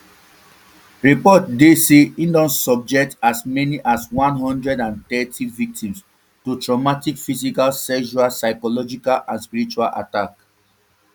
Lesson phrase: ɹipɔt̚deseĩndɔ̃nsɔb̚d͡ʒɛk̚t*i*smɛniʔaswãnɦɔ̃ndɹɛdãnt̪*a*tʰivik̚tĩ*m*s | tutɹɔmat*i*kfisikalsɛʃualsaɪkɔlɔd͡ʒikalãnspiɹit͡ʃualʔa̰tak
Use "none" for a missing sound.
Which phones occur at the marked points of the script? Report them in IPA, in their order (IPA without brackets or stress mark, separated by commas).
a, ɛ, m, i